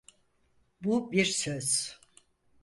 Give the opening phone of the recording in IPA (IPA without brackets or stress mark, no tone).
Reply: b